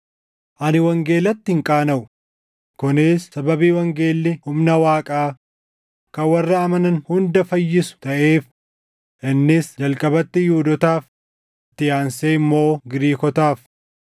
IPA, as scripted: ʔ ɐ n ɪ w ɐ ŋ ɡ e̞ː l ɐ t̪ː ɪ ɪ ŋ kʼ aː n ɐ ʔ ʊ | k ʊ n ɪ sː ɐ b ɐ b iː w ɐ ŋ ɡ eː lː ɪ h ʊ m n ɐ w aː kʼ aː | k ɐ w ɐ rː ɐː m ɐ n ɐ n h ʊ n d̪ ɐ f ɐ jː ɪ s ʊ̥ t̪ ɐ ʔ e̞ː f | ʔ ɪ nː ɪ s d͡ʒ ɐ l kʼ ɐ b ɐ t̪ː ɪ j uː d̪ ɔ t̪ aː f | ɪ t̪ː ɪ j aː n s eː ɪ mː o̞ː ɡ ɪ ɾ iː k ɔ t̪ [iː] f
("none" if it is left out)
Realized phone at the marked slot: aː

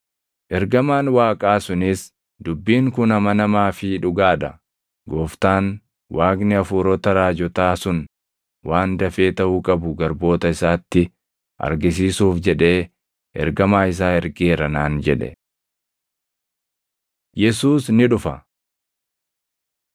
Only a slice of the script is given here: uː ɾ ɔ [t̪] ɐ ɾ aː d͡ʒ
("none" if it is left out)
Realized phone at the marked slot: t̪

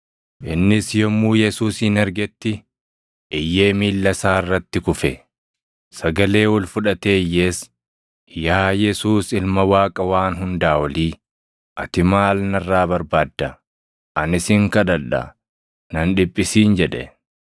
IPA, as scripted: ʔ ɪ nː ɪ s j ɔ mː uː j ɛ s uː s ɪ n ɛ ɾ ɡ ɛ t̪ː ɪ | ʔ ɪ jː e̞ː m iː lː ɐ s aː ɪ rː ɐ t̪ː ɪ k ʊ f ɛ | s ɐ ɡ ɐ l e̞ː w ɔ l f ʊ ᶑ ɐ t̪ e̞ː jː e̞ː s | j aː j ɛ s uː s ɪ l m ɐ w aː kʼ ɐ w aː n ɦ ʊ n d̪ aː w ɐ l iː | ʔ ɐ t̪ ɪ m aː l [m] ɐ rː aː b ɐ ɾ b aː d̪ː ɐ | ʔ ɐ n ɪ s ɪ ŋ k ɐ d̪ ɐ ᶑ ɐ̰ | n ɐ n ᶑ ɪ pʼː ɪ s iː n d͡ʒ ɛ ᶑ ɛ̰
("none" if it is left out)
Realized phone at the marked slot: n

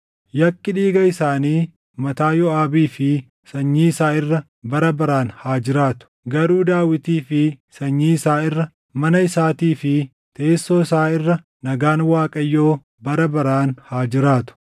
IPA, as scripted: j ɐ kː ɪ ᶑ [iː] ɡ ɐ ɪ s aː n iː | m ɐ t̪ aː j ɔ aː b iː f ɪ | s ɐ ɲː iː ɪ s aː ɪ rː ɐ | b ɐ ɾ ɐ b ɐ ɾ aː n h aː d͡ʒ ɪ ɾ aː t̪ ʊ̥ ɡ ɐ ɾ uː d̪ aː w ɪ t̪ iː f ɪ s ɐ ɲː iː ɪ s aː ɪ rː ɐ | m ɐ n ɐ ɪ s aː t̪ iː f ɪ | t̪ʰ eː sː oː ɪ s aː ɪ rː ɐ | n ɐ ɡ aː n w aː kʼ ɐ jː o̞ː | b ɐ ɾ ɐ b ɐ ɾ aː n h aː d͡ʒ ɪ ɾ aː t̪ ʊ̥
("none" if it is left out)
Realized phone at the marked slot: iː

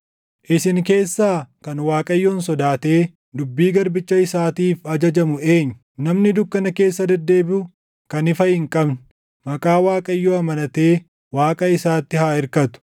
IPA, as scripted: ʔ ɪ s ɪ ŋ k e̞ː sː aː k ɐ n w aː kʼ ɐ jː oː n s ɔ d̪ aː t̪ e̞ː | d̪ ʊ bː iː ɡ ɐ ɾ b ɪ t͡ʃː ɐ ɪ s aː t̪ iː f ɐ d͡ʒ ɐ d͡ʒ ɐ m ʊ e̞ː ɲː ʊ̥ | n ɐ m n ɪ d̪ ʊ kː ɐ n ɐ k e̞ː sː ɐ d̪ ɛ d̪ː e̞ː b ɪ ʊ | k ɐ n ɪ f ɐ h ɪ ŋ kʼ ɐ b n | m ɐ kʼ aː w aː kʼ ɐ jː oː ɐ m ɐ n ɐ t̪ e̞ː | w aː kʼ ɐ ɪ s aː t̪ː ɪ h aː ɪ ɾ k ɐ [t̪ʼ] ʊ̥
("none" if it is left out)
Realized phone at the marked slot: t̪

